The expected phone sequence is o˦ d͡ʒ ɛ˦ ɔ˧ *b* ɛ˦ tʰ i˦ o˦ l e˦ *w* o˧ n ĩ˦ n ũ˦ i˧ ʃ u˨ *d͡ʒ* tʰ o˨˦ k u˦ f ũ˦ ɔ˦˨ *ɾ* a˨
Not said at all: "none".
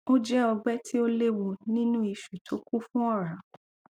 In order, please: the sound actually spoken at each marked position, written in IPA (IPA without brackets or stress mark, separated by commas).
ɡ͡b, w, none, ɾ